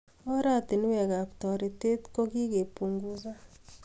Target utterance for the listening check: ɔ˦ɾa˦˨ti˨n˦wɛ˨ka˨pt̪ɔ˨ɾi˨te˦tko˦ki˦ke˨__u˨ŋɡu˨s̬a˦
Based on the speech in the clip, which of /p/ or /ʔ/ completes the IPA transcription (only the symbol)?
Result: p